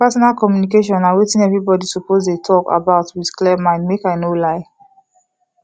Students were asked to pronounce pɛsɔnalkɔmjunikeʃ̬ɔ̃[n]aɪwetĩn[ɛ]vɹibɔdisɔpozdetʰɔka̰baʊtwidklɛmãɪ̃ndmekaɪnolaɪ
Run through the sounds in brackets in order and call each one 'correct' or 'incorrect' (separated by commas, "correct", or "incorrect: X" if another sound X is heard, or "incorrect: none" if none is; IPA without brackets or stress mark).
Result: correct, correct